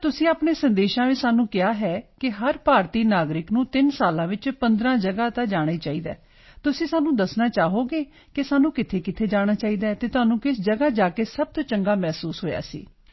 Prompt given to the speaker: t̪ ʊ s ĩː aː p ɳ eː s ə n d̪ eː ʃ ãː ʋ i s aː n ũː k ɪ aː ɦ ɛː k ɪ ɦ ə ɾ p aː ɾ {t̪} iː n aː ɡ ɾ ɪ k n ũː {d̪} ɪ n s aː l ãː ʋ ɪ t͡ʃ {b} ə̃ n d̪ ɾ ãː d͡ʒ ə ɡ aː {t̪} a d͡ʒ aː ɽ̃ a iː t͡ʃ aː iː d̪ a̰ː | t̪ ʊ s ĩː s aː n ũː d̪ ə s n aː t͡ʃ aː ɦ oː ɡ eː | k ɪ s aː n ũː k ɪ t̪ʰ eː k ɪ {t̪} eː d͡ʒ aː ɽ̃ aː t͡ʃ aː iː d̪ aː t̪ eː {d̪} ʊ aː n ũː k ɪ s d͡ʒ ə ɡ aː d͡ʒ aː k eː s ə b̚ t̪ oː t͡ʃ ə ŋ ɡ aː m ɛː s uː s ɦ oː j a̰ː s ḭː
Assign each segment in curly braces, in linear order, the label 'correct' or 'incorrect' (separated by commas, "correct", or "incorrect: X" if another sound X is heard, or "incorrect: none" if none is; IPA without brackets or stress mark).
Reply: correct, incorrect: t̪, incorrect: p, correct, incorrect: t̪ʰ, incorrect: t̪